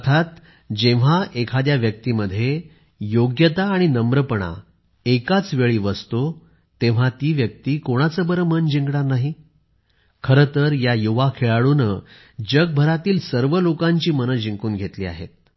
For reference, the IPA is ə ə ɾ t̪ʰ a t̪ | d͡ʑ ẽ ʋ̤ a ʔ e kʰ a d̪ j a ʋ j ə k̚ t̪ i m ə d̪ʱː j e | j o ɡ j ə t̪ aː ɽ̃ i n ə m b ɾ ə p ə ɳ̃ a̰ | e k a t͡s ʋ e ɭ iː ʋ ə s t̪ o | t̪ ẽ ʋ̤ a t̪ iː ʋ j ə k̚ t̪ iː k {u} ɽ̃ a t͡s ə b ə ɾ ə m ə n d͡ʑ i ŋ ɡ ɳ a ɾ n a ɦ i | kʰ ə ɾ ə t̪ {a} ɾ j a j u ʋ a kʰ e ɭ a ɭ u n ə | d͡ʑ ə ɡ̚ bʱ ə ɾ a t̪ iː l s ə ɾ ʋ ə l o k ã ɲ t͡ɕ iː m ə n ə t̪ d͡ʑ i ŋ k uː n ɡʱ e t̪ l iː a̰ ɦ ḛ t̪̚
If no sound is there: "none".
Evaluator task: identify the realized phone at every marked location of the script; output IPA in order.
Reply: o, ə

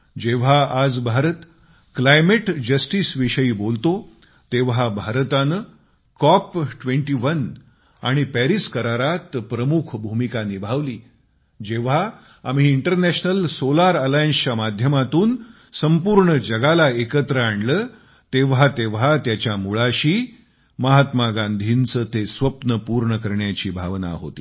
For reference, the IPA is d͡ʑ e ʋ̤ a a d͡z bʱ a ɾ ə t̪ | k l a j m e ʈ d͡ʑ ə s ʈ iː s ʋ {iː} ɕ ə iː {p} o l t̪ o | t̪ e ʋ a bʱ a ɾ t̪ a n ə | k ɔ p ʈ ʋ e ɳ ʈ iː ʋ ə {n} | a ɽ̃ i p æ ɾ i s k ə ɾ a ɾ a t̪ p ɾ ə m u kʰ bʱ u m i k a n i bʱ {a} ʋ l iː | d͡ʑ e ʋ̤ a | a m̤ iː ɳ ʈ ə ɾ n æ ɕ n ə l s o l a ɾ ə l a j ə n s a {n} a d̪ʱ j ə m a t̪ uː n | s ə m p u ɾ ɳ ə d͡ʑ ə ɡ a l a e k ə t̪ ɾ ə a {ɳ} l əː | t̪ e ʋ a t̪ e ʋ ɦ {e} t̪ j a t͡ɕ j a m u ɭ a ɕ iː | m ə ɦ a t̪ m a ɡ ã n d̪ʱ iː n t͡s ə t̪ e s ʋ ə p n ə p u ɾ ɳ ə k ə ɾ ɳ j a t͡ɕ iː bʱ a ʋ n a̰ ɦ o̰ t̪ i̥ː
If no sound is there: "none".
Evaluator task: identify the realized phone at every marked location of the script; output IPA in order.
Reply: i, b, n, a, m, ɳ, a

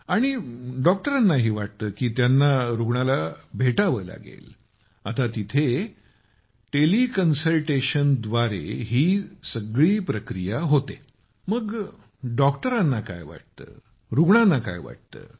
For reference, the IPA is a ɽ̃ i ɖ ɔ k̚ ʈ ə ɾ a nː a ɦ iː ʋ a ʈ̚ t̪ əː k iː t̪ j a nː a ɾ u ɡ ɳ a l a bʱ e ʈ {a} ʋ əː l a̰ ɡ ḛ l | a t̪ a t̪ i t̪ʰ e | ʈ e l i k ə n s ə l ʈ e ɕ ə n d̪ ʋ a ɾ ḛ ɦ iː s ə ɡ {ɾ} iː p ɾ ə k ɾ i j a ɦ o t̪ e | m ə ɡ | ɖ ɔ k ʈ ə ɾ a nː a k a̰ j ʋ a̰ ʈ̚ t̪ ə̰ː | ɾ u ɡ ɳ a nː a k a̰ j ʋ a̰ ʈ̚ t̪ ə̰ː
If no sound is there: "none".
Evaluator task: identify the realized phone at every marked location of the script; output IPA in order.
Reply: a, ɭ

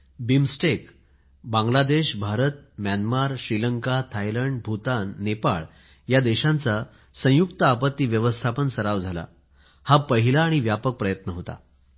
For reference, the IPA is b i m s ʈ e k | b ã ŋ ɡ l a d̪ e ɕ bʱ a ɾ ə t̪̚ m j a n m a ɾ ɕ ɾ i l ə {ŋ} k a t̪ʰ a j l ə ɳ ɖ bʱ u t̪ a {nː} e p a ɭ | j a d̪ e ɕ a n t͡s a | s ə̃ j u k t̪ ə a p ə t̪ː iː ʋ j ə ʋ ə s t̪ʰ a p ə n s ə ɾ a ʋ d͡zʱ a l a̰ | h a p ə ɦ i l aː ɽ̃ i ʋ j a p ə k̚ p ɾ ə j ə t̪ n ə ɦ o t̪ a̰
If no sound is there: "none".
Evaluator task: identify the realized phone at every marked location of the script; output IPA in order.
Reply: ŋ, nː

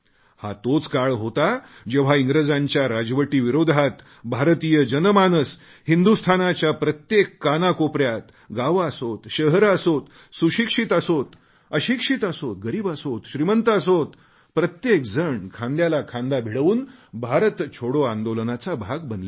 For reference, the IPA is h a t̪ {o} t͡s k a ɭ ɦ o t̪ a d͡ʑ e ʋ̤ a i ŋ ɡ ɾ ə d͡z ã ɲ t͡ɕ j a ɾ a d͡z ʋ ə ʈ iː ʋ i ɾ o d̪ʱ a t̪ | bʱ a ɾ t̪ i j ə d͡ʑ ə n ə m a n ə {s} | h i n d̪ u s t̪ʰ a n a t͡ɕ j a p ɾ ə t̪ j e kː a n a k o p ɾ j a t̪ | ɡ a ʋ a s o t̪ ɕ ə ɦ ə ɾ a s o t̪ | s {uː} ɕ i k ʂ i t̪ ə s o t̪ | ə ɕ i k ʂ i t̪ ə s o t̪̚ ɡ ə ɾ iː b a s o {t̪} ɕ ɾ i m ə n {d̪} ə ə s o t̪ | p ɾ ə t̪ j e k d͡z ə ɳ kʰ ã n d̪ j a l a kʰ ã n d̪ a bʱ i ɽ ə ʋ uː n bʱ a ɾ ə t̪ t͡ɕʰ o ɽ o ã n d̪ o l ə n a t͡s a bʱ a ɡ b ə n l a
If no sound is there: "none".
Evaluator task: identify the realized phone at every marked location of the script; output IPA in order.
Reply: o, s, u, t̪, t̪

